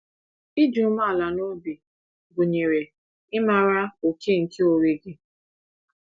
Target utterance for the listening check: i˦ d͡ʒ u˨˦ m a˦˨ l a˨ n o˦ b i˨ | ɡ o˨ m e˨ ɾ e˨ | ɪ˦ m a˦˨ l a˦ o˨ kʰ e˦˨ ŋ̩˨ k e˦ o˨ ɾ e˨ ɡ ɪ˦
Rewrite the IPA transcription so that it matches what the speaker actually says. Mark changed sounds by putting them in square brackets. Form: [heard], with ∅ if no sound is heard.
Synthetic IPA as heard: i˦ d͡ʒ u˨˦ m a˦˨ l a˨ n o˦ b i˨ | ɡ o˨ [ɲ] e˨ ɾ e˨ | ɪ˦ m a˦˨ [ɾ] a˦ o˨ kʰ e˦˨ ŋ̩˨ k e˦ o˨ ɾ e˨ ɡ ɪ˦

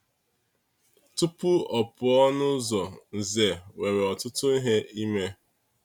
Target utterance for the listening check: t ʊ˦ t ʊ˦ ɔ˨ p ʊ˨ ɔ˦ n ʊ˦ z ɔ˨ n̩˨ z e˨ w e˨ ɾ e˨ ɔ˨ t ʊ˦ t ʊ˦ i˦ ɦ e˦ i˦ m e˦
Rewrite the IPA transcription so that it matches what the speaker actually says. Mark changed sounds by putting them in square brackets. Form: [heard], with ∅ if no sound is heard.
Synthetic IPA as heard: t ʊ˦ [p] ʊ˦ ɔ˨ p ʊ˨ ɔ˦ n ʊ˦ z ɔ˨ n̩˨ z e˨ w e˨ ɾ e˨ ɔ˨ t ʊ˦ t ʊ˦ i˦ ɦ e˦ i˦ m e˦

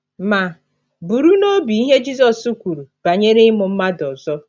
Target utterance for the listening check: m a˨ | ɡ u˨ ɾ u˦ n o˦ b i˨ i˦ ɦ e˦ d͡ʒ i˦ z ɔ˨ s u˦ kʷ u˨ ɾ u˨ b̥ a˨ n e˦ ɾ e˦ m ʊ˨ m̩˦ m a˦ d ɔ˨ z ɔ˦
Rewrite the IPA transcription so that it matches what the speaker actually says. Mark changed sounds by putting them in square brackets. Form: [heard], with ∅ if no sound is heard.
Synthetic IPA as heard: m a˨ | [b] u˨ ɾ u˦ n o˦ b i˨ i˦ ɦ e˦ d͡ʒ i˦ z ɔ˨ s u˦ kʷ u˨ ɾ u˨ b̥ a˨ [ɲ] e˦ ɾ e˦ m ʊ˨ m̩˦ m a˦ d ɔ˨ z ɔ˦

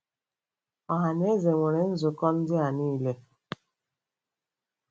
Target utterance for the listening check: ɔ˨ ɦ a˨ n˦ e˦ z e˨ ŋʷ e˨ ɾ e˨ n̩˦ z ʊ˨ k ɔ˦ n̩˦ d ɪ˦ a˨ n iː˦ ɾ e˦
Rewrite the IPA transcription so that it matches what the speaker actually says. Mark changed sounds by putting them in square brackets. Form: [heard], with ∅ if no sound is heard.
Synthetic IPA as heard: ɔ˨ ɦ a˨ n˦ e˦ z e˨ ŋʷ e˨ ɾ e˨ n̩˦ z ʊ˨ k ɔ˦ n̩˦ d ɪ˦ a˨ n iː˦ [l] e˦

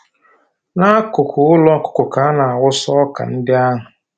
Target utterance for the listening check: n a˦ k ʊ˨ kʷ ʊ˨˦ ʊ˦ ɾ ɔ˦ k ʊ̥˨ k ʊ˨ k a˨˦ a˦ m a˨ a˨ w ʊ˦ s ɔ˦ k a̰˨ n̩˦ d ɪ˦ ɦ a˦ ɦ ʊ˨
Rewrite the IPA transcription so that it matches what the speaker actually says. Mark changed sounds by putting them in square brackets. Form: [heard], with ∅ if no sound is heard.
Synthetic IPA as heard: n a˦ k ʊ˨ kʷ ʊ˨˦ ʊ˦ [l] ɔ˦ k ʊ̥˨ k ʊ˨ k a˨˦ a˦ [n] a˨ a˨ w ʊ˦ s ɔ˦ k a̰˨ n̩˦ d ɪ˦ [∅] a˦ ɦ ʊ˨

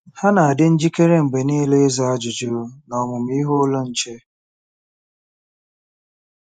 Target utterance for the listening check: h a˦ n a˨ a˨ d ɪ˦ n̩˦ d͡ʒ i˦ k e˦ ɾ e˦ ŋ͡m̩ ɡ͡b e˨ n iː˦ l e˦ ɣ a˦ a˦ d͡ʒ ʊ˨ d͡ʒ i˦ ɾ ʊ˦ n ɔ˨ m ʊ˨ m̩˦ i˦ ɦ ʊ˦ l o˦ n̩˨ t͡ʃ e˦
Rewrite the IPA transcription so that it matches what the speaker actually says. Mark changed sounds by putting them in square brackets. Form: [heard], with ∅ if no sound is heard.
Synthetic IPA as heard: h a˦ n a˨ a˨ d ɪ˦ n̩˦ d͡ʒ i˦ k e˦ ɾ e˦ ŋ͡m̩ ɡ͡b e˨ n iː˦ l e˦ [z] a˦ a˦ d͡ʒ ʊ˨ d͡ʒ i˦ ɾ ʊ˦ n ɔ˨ m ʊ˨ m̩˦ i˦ ɦ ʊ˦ l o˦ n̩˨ t͡ʃ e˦

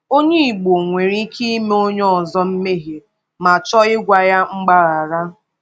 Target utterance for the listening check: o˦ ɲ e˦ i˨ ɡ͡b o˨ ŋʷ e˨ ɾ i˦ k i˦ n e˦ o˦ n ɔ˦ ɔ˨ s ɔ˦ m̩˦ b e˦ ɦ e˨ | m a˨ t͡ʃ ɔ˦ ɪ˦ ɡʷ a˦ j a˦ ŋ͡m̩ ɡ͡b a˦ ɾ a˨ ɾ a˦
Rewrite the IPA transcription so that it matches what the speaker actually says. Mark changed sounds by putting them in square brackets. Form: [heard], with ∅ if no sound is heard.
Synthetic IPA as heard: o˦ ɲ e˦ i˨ ɡ͡b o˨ ŋʷ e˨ ɾ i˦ k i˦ [m] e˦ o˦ [ɲ] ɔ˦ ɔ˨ [z] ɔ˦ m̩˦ [m] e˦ ɦ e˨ | m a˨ t͡ʃ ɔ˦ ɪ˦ ɡʷ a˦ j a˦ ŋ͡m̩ ɡ͡b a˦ ɾ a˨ ɾ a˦

